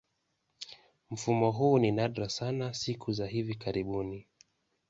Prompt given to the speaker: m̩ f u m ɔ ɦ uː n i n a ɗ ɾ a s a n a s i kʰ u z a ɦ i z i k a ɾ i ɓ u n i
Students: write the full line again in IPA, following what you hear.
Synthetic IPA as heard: m̩ f u m ɔ ɦ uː n i n a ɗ ɾ a s a n a s i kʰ u z a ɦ i v i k a ɾ i ɓ u n i